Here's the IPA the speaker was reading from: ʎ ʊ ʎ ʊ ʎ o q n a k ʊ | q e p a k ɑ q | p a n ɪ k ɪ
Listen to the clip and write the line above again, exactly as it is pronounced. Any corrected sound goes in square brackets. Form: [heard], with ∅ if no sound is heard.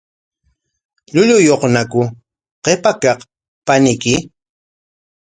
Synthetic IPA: ʎ ʊ ʎ ʊ [j] o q n a k ʊ | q e p a k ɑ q | p a n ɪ k ɪ

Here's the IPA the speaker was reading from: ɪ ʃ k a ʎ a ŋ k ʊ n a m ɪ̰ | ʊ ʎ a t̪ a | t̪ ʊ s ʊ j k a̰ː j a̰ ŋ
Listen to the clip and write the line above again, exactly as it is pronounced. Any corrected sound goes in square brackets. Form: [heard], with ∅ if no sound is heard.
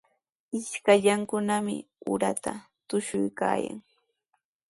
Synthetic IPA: ɪ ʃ k a ʎ a ŋ k ʊ n a m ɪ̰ | ʊ [ɾ] a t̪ a | t̪ ʊ [ʃ] ʊ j k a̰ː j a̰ ŋ

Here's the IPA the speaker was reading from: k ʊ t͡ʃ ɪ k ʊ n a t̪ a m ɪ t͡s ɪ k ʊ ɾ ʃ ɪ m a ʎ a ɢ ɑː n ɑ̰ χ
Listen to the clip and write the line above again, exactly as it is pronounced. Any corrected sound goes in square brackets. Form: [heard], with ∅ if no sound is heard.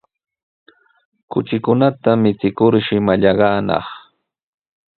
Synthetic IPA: k ʊ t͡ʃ ɪ k ʊ n a t̪ a m ɪ t͡s ɪ k ʊ ɾ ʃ ɪ m a ʎ [ɑ] ɢ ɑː n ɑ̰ χ

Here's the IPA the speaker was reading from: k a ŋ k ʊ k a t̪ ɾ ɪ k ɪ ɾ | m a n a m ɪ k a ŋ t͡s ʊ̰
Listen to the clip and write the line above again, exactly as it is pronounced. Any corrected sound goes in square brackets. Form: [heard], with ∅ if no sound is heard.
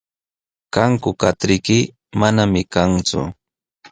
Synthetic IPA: k a ŋ k ʊ k a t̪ ɾ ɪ k ɪ [∅] | m a n a m ɪ k a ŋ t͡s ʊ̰

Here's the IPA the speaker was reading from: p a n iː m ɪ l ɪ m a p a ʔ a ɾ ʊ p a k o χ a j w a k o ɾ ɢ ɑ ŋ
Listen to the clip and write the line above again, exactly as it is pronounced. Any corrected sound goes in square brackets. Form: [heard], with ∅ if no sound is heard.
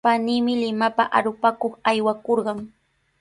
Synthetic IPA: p a n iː m ɪ l ɪ m a p a ʔ a ɾ ʊ p a k o χ a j w a k o ɾ ɢ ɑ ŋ

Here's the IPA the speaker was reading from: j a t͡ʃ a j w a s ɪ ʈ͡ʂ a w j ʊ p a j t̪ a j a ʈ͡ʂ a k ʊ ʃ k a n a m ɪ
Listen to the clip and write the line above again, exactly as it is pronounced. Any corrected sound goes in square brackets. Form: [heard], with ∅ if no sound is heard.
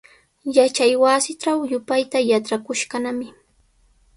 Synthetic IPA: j a t͡ʃ a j w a s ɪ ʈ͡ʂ a w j ʊ p a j t̪ a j a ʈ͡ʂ a k ʊ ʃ k a n a m ɪ

